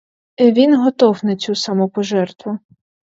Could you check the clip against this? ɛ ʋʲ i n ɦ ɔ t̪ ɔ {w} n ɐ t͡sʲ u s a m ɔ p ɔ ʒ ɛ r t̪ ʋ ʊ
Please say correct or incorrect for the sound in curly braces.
correct